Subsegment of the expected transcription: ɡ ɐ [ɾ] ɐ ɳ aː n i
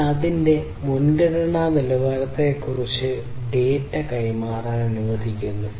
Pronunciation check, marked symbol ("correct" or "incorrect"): incorrect